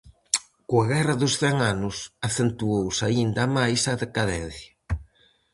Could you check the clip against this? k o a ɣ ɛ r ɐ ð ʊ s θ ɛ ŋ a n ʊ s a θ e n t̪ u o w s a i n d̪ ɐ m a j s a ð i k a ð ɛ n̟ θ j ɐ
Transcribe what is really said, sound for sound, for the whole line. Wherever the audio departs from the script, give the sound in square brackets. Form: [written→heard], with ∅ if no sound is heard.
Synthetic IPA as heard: k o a ɣ ɛ r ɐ ð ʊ s θ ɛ ŋ a n ʊ s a θ e n t̪ u o w s a i n d̪ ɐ m a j s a ð [i→e] k a ð ɛ n̟ θ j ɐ